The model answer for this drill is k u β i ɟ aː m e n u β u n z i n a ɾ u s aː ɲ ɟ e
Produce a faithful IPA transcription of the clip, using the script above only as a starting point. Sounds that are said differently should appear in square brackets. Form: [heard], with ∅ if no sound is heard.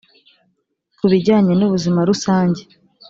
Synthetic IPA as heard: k u β i ɟ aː [ɲ] e n u β u [∅] z i [m] a ɾ u s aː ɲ ɟ e